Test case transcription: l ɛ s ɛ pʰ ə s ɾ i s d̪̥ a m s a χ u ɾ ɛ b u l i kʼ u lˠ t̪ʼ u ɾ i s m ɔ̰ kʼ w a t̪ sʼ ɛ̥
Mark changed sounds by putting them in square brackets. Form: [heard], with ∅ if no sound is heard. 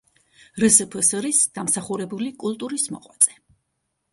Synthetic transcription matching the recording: [ɾ] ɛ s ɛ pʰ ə s ɾ i s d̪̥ a m s a χ u ɾ ɛ b u l i kʼ u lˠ t̪ʼ u ɾ i s m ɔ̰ [qʼ] w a t̪ sʼ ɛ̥